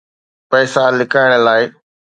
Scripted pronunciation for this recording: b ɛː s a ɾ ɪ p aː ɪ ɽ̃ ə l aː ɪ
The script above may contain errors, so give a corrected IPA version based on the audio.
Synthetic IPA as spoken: p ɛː s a l ɪ k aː ɪ ɽ̃ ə l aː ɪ